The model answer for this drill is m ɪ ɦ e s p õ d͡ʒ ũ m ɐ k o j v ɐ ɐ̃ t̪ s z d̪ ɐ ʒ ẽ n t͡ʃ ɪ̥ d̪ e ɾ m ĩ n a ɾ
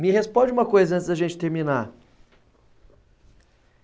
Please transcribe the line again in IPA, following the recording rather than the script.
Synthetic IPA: m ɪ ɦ e s p õ d͡ʒ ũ m ɐ k o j z ɐ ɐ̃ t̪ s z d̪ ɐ ʒ ẽ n t͡ʃ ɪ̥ t̪ e ɾ m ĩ n a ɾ